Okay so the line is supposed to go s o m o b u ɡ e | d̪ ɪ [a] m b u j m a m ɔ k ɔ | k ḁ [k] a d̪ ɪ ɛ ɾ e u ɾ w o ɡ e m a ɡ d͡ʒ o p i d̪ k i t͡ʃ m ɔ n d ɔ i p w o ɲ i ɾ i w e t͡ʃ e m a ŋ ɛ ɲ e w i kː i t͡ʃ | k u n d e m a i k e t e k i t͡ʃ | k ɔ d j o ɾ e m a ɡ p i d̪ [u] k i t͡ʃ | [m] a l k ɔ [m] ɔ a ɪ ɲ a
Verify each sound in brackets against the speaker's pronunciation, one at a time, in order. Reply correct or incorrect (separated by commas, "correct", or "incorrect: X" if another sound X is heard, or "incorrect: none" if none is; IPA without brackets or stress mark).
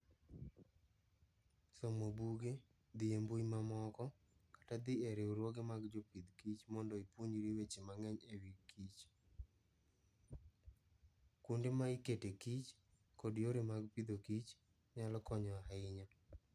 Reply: incorrect: e, incorrect: t, incorrect: o, incorrect: ɲ, incorrect: ɲ